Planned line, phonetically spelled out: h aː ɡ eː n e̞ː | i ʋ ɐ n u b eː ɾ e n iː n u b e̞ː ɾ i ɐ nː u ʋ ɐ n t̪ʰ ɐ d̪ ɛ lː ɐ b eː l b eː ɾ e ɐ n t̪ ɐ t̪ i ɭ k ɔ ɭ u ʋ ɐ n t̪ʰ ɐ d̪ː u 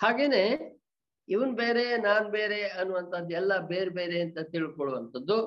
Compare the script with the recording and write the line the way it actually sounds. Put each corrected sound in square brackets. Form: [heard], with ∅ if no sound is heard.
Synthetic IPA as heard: h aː ɡ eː n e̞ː | i ʋ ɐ n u b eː ɾ e n [aː] n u b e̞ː ɾ [e] ɐ nː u ʋ ɐ n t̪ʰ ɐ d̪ ɛ lː ɐ b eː [ɾ] b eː ɾ e ɐ n t̪ ɐ t̪ i ɭ k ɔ ɭ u ʋ ɐ n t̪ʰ ɐ d̪ː u